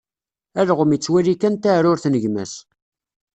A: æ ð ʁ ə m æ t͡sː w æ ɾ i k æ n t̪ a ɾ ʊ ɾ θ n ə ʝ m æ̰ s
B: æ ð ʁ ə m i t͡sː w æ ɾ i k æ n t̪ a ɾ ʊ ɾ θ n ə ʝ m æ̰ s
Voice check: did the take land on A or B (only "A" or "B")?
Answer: B